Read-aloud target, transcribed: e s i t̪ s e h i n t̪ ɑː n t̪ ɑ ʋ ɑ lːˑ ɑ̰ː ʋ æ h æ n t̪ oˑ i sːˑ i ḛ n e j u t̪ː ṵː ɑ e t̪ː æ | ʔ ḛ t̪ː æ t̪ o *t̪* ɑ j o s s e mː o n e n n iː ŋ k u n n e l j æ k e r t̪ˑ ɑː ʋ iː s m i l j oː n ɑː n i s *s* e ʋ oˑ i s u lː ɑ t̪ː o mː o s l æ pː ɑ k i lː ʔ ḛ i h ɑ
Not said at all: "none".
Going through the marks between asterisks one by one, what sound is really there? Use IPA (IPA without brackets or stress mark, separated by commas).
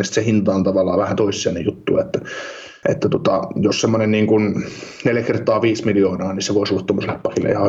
t̪, s